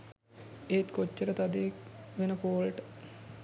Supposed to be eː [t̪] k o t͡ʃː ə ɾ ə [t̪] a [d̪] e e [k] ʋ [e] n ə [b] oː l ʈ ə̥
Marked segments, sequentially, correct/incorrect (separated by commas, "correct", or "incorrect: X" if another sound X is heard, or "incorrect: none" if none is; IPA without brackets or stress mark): correct, correct, correct, correct, correct, incorrect: p